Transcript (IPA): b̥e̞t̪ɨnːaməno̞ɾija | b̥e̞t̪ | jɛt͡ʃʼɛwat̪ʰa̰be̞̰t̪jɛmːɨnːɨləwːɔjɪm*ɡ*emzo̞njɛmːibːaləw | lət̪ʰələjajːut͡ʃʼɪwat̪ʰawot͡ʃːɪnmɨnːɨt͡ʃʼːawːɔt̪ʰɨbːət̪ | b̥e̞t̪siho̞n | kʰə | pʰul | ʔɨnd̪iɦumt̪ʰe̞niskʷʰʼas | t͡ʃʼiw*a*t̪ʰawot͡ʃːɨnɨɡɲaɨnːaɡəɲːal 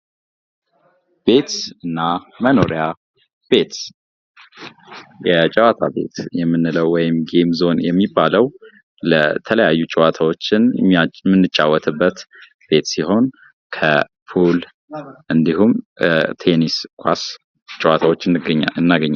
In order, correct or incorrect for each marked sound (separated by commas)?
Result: correct, correct